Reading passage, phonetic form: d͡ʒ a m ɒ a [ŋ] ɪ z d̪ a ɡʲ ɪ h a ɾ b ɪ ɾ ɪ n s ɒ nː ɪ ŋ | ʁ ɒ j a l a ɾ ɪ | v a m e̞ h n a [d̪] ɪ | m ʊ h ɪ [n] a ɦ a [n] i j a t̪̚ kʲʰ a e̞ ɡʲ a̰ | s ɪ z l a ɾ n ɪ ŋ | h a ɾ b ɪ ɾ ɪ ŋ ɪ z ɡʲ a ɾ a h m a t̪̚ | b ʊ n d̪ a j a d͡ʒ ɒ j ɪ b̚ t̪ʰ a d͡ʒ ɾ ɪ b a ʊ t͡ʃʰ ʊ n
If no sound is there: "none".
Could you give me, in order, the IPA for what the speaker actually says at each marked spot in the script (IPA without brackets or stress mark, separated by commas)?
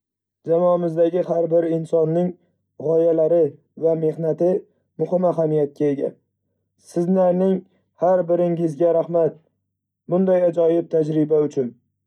m, t̪, m, m